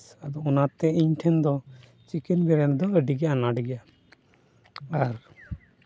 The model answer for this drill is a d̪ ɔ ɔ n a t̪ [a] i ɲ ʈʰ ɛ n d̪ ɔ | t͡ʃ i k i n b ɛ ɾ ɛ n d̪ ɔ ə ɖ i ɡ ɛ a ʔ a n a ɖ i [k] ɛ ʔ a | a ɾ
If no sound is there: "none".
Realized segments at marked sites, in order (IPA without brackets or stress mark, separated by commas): ɛ, ɡ